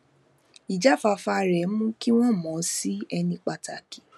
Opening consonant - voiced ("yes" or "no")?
yes